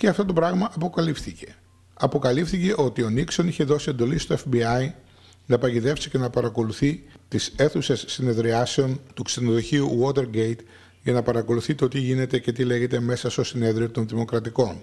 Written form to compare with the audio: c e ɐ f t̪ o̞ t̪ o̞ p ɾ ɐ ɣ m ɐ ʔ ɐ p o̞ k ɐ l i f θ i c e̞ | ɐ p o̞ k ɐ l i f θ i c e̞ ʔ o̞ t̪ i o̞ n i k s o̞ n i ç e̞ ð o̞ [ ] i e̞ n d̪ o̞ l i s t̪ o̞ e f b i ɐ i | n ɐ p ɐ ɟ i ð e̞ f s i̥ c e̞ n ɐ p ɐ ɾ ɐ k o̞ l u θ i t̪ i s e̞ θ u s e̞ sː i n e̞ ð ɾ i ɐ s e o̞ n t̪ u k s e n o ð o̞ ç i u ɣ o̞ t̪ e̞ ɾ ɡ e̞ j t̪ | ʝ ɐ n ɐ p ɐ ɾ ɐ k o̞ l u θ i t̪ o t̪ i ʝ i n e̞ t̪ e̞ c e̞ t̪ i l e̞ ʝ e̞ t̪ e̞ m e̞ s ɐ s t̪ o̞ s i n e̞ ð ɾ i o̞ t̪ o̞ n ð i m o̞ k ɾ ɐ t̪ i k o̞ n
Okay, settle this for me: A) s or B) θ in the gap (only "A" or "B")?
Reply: A